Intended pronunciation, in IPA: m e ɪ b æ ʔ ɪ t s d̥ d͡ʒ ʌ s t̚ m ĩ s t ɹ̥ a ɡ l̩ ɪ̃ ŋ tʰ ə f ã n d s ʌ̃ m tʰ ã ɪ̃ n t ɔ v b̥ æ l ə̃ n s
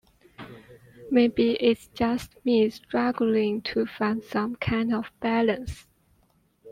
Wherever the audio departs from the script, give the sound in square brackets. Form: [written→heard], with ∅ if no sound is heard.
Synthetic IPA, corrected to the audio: m e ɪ b [æ→i] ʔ ɪ t s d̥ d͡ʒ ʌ s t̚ m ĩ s t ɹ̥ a ɡ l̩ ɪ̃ ŋ tʰ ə f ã n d s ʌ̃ m [tʰ→kʰ] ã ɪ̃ n [t→d] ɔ v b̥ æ l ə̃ n s